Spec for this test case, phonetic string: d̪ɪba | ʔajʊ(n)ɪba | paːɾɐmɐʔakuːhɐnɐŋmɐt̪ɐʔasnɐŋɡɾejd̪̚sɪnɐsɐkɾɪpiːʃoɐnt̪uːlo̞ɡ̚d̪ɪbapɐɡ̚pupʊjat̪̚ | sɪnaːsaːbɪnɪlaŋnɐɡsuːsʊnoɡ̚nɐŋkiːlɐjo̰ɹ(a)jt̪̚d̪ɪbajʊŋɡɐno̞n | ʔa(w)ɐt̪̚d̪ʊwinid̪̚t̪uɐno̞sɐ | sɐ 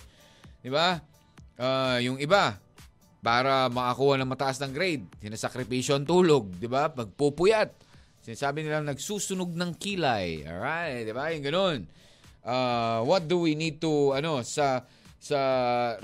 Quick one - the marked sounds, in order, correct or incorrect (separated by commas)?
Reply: incorrect, correct, correct